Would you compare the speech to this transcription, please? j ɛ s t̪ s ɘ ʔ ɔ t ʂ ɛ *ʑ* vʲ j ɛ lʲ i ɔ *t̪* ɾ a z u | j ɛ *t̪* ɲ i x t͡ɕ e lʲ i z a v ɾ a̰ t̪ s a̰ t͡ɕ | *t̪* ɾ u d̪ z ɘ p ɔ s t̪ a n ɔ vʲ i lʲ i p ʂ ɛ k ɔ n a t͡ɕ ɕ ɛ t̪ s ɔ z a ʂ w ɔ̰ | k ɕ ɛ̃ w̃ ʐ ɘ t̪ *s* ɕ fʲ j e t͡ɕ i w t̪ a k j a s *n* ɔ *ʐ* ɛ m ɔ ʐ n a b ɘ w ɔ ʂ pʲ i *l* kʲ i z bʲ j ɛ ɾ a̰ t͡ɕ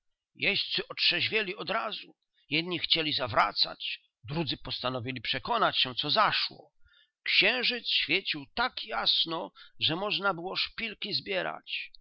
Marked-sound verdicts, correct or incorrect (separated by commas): correct, incorrect, incorrect, incorrect, correct, correct, correct, correct